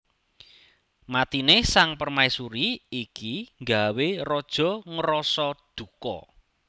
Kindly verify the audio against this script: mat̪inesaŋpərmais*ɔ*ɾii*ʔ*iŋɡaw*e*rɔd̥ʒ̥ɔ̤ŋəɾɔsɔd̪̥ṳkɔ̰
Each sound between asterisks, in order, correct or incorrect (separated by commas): incorrect, incorrect, correct